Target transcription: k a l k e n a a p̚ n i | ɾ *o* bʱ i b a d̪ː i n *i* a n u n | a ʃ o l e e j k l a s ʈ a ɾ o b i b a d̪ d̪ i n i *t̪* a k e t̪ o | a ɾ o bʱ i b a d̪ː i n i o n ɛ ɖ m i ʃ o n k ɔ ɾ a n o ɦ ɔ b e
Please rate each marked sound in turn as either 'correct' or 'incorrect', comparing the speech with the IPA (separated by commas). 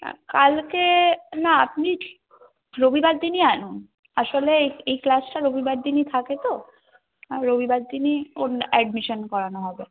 correct, correct, incorrect